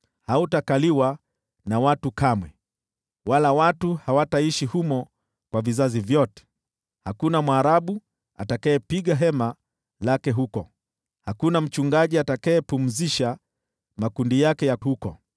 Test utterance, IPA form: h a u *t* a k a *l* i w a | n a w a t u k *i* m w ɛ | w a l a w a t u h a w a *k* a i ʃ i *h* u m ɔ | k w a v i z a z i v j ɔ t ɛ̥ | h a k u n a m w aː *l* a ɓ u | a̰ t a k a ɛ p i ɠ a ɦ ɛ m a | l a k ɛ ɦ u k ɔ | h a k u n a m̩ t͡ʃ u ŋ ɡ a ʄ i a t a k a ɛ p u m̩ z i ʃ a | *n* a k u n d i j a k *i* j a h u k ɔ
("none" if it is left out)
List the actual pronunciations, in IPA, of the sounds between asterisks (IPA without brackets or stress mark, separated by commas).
t, l, a, t, h, ɾ, m, ɛ